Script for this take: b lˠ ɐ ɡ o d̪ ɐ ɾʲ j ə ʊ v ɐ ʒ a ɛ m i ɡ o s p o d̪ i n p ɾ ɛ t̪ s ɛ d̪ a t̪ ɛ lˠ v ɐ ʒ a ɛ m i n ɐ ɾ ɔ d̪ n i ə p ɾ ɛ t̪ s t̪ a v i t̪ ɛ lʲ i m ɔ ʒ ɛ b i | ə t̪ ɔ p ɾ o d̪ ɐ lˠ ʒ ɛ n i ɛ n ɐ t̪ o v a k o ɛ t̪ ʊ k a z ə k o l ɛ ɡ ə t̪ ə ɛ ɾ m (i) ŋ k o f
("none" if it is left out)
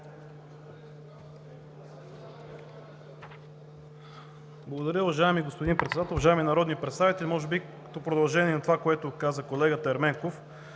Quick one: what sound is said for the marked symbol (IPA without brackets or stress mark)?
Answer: ɛ